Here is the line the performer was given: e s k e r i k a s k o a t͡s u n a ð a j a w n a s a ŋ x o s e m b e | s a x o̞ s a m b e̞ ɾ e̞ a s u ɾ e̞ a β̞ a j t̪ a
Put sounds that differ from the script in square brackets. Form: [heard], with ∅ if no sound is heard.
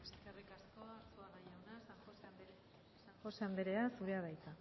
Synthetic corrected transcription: e s k e r i k a s k o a t͡s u [∅] a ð a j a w n a s a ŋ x o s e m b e | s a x o̞ s a m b e̞ ɾ e̞ a s u ɾ e̞ a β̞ a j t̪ a